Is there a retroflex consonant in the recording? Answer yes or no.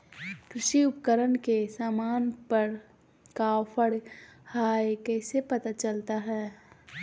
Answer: yes